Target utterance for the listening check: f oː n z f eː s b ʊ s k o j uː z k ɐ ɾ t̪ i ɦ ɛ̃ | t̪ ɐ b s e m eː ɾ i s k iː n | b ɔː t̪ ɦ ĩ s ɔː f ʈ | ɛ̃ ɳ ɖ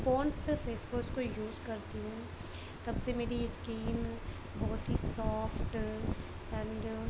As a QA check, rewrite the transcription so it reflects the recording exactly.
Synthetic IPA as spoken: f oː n s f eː s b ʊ s k o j uː z k ɐ ɾ t̪ i ɦ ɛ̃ | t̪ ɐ b s e m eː ɾ i s k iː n | b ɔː t̪ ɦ i s ɔː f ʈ | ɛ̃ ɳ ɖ